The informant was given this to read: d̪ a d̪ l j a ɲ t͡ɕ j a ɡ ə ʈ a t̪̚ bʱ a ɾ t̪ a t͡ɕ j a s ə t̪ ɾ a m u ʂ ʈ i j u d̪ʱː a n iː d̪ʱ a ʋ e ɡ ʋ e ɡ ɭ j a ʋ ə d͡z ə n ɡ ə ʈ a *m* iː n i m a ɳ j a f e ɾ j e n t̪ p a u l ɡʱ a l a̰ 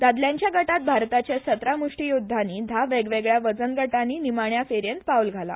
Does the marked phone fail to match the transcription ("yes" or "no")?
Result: yes